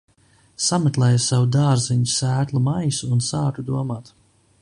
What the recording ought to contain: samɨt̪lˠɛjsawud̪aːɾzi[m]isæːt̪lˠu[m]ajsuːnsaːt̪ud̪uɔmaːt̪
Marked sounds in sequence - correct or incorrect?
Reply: incorrect: ɲ, correct

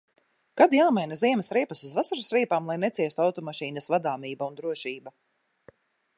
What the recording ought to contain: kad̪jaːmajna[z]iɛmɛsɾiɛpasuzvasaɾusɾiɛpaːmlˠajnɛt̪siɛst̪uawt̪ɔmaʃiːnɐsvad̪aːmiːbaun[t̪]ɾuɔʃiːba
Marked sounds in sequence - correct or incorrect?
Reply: correct, incorrect: d̪

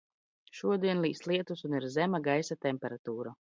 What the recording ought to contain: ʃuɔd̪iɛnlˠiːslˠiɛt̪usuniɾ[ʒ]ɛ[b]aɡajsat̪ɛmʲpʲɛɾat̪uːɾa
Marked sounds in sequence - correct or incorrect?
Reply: incorrect: z, incorrect: m

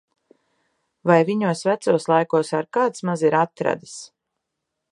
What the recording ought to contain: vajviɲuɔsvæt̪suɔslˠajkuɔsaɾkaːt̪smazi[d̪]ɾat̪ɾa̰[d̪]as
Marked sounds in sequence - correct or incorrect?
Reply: incorrect: none, correct

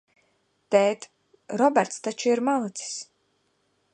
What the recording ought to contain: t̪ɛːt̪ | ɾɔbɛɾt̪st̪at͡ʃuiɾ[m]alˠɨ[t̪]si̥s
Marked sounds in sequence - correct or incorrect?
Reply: correct, correct

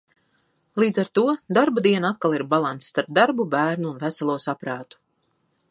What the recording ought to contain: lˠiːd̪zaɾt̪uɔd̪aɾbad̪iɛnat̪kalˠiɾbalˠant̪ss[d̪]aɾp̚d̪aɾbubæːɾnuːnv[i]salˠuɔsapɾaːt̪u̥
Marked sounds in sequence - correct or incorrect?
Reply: incorrect: t̪, incorrect: æ

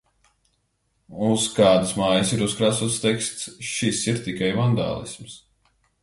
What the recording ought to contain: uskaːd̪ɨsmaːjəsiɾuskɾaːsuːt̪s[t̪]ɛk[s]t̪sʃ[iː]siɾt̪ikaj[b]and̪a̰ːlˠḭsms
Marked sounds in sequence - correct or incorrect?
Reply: correct, correct, incorrect: i, incorrect: v

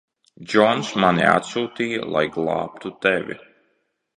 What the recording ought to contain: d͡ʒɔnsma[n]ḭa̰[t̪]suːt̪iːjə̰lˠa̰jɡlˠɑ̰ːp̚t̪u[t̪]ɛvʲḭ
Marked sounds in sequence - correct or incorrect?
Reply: correct, correct, correct

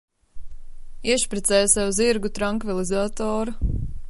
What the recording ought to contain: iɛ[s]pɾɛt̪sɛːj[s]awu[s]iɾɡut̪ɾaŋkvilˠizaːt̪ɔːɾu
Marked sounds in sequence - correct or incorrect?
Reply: incorrect: ʃ, correct, incorrect: z

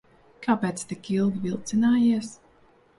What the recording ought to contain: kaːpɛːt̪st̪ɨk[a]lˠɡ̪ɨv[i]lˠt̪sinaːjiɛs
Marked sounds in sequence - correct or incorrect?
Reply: incorrect: i, correct

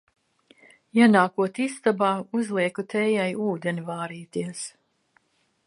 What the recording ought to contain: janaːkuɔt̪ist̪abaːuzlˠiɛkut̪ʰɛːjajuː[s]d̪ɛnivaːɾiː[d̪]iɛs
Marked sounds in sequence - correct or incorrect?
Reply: incorrect: none, incorrect: t̪

